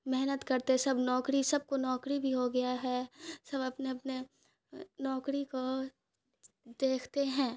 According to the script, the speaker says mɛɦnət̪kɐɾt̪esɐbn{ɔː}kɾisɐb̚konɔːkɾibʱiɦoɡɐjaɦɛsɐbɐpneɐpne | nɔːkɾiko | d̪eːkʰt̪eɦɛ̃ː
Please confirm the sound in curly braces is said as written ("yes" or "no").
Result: yes